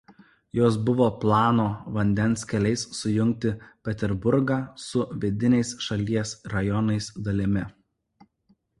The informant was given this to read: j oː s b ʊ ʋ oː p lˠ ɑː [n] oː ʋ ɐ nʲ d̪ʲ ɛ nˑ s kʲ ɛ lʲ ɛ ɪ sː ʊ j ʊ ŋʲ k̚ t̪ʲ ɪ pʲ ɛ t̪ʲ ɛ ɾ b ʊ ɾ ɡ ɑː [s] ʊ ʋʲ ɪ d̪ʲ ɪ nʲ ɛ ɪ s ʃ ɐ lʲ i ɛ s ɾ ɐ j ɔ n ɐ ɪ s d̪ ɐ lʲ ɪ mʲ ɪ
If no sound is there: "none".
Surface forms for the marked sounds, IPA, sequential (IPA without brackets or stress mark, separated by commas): n, s